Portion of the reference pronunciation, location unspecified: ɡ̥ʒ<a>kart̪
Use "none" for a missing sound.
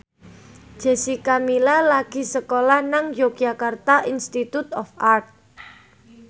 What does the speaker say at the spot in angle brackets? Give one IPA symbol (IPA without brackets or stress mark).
a